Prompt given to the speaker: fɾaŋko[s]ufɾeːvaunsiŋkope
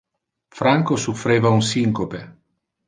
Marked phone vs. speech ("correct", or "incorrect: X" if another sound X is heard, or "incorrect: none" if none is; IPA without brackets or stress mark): correct